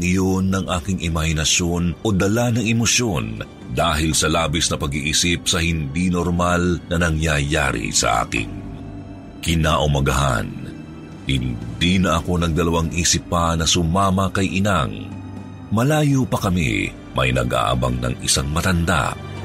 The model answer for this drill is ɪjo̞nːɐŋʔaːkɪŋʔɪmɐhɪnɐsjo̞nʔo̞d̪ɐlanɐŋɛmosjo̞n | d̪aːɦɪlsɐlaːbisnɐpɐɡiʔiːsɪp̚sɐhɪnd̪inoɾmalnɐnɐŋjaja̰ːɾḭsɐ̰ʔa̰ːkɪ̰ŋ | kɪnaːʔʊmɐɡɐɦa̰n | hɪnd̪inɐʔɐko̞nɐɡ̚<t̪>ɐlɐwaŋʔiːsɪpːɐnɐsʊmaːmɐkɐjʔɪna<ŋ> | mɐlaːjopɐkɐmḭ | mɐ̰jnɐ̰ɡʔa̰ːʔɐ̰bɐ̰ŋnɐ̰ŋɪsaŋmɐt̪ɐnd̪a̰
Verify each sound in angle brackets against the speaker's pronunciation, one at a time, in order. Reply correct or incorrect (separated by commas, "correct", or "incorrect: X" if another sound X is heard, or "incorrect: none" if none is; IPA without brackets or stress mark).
incorrect: d̪, correct